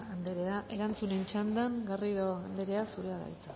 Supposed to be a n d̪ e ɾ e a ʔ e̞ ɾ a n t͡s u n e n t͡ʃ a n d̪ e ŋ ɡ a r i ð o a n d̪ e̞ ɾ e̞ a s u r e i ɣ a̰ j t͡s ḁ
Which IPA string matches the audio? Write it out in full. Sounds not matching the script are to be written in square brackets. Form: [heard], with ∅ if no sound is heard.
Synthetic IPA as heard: a n d̪ e ɾ e a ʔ e̞ ɾ a n t͡s u n e n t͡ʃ a n d̪ [a] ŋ ɡ a r i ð o a n d̪ e̞ ɾ e̞ a s u [ɾ] e [a] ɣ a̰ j t͡s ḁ